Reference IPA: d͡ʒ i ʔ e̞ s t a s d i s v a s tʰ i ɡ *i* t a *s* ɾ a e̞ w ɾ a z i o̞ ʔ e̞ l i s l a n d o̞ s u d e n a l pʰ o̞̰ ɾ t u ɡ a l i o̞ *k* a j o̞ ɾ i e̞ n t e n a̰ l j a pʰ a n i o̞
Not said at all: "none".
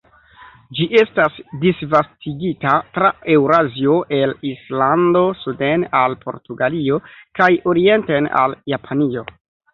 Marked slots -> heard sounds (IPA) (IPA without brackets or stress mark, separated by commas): i, t, k